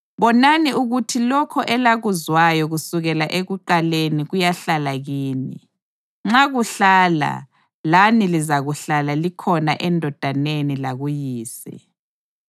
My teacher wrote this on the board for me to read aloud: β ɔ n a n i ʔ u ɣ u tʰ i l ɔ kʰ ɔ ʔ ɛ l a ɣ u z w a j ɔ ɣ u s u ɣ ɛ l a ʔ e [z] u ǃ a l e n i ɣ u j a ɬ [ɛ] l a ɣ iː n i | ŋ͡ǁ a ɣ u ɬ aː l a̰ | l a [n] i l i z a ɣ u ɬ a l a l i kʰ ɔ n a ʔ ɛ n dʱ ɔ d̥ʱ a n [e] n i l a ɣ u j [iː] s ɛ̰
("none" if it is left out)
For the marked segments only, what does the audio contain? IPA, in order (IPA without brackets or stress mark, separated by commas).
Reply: ɣ, a, n, e, iː